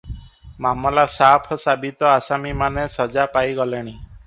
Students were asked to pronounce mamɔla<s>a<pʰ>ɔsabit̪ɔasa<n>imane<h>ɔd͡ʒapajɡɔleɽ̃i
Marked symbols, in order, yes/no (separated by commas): yes, yes, no, no